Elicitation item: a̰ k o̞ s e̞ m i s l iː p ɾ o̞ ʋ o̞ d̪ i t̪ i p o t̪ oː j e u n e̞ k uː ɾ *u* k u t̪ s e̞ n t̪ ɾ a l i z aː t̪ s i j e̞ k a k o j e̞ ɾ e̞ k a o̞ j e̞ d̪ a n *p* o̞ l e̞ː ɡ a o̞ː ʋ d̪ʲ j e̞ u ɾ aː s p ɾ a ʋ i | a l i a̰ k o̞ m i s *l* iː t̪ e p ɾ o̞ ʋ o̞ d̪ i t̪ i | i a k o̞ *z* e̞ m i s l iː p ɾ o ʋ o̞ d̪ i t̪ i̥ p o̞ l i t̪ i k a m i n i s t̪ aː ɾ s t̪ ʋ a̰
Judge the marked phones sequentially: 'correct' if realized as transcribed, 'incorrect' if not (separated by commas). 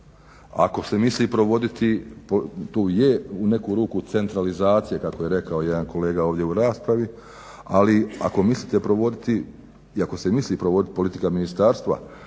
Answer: incorrect, incorrect, correct, incorrect